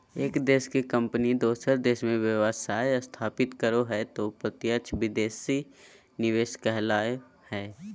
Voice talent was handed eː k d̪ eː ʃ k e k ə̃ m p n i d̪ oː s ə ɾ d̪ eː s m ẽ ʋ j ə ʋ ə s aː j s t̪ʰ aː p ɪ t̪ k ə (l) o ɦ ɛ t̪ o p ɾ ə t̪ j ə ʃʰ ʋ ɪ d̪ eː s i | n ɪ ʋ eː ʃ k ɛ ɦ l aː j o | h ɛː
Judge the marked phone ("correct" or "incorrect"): incorrect